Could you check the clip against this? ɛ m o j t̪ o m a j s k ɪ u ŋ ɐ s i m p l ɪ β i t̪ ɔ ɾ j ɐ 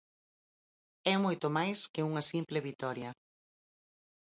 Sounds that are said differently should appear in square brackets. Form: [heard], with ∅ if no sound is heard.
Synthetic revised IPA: ɛ m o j t̪ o m a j s k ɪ u ŋ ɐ s i m p l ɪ β i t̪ ɔ ɾ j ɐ